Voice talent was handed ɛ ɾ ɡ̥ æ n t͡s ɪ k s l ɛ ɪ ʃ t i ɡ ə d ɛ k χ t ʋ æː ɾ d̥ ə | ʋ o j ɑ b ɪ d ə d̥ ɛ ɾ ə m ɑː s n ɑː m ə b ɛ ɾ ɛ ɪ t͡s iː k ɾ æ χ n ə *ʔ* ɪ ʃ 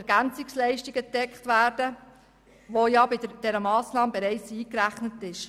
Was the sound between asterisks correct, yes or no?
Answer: no